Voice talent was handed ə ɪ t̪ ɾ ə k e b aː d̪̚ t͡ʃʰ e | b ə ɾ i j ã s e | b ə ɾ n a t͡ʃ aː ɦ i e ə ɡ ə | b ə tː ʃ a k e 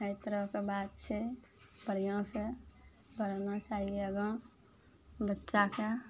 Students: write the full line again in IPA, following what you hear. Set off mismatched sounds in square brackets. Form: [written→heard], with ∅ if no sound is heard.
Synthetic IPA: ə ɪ t̪ ɾ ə k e b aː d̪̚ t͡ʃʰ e | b ə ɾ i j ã s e | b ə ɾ n a t͡ʃ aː ɦ i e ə ɡ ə | b ə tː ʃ a k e